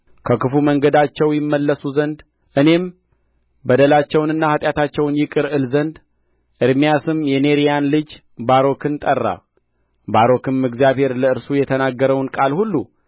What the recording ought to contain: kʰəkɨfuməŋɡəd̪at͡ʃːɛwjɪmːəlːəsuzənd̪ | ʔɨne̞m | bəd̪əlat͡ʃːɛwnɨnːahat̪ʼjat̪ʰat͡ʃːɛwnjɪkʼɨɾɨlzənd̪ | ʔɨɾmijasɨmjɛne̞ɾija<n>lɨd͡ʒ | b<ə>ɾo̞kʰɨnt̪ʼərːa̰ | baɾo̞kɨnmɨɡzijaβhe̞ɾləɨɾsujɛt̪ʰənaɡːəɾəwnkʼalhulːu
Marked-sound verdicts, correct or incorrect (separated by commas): correct, incorrect